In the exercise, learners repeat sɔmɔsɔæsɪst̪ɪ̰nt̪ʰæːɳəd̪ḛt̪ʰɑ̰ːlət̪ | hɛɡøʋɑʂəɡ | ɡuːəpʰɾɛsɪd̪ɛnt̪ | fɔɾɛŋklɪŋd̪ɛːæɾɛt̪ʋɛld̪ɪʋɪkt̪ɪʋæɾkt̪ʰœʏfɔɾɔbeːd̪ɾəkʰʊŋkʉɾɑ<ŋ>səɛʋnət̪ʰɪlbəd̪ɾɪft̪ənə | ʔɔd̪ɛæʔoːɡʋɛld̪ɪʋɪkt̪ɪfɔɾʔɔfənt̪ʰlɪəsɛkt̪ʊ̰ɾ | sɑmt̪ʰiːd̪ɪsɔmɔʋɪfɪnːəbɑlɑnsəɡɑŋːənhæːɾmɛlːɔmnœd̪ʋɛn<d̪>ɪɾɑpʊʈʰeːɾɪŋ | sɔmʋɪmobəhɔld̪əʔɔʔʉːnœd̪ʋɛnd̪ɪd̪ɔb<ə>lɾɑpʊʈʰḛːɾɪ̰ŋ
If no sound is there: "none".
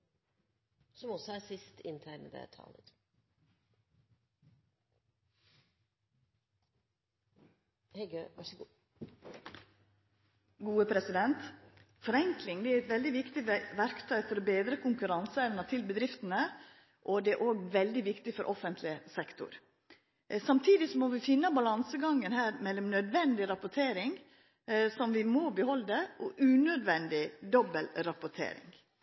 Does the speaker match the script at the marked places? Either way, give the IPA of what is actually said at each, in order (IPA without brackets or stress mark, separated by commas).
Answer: n, d̪, ə